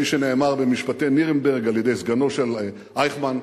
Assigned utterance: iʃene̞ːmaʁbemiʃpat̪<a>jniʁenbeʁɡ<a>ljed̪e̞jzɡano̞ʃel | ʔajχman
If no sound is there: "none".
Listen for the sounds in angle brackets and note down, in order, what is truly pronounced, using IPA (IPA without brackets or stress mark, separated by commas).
e, a